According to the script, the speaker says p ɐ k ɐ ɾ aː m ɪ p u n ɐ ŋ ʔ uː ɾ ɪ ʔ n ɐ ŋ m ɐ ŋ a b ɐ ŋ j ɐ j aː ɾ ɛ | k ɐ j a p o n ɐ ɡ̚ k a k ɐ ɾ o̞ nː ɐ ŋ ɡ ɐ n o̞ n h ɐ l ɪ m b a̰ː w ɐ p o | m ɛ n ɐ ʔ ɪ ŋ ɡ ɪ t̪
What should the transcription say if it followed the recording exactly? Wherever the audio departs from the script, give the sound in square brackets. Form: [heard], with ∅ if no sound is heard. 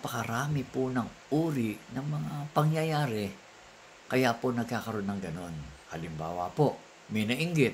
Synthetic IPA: p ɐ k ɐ ɾ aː m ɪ p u n ɐ ŋ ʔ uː ɾ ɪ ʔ n ɐ ŋ m ɐ ŋ a [p] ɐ ŋ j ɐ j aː ɾ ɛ | k ɐ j a p o n ɐ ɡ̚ k a k ɐ ɾ o̞ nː ɐ ŋ ɡ ɐ n o̞ n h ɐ l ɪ m b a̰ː w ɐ p o | m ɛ n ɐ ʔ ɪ ŋ ɡ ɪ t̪